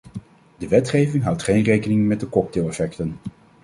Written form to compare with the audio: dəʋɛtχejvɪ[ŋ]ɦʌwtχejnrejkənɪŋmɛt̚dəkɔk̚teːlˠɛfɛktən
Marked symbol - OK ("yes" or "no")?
yes